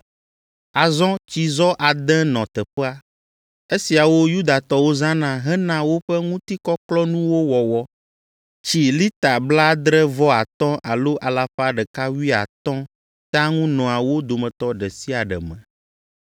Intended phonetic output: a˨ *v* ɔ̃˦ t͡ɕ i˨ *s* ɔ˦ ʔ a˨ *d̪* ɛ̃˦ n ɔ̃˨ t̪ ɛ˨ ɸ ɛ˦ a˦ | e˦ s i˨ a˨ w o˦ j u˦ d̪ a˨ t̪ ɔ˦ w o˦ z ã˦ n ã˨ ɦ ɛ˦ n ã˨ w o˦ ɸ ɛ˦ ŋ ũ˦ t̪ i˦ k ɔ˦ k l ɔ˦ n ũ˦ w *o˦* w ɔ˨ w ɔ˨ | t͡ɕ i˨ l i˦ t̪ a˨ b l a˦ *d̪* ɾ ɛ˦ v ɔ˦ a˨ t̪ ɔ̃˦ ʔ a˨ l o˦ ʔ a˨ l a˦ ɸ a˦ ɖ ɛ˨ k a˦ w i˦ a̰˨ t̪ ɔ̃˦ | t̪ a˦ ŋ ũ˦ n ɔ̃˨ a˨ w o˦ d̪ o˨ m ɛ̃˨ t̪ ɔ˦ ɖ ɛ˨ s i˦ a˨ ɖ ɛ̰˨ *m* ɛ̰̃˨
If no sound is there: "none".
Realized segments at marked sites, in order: z, z, d̪, o˦, d̪, m

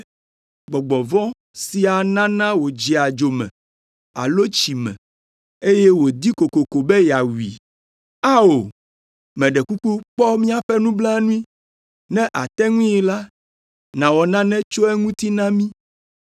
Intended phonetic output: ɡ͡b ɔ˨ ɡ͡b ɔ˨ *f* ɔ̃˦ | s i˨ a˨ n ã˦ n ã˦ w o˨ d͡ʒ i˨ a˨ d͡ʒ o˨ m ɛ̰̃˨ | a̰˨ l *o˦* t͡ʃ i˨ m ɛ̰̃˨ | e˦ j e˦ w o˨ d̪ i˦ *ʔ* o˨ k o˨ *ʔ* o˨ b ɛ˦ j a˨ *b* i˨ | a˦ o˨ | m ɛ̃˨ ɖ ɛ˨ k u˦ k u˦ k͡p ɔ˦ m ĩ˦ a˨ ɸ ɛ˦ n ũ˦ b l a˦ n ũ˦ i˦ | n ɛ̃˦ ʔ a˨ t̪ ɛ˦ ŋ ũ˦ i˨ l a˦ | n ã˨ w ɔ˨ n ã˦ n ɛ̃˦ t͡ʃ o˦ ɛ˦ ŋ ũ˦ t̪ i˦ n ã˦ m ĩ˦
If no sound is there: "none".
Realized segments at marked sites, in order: v, o˦, k, k, w

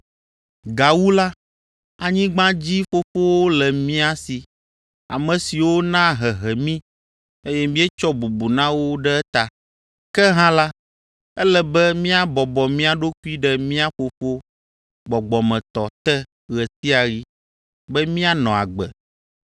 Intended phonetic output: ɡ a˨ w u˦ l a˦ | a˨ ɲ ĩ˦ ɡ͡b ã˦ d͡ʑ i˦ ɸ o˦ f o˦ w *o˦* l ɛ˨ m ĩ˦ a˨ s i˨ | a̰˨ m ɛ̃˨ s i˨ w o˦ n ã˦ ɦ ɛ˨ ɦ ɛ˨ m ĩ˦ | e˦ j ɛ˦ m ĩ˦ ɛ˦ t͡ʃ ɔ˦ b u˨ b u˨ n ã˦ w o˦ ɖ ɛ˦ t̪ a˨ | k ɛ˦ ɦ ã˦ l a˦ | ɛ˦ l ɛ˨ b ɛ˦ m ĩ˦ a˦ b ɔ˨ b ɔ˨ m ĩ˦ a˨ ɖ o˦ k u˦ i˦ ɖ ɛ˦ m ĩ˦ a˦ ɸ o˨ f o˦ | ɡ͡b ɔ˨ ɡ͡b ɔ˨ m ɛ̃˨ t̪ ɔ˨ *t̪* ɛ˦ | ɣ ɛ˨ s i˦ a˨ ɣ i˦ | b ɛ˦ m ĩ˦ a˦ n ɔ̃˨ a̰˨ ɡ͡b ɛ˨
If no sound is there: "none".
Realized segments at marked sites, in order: o˦, t̪

